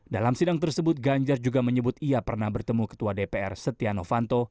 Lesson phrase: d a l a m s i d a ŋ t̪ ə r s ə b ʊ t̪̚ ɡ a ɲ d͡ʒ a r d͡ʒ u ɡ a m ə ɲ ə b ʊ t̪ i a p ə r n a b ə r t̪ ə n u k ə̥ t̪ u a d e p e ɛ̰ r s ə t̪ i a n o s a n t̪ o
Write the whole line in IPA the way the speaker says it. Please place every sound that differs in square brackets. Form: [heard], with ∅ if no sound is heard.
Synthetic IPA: d a l a m s i d a ŋ t̪ ə r s ə b ʊ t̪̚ ɡ a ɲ d͡ʒ a r d͡ʒ u ɡ a m ə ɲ ə b ʊ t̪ i a p ə r n a b ə r t̪ ə [m] u k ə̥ t̪ u a d e p e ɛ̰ r s ə t̪ i a n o [f] a n t̪ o